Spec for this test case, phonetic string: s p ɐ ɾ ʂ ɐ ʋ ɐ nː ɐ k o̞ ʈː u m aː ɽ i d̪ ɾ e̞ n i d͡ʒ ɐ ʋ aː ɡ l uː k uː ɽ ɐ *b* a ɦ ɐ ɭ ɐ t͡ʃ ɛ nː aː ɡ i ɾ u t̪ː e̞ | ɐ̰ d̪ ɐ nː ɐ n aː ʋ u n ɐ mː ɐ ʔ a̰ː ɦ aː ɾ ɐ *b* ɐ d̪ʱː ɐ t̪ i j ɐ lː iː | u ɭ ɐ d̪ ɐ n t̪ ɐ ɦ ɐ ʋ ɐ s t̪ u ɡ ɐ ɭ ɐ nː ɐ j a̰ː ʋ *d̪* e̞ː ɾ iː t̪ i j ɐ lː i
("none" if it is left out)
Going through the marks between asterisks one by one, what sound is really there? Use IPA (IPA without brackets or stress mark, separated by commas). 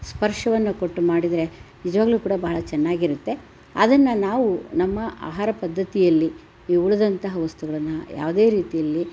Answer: b, p, d̪